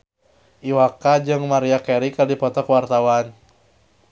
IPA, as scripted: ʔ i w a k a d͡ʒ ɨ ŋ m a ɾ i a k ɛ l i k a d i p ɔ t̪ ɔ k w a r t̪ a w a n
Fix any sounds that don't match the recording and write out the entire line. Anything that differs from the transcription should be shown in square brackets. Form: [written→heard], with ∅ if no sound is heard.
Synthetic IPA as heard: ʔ i w a k a d͡ʒ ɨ ŋ m a ɾ i a k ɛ [l→ɾ] i k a d i p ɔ t̪ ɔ k w a r t̪ a w a n